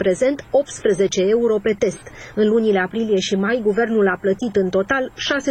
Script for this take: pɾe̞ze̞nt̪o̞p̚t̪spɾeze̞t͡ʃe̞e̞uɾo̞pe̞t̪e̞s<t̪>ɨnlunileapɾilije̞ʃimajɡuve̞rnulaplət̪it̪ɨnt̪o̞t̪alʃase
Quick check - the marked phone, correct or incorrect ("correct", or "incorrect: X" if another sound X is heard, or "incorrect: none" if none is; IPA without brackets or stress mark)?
correct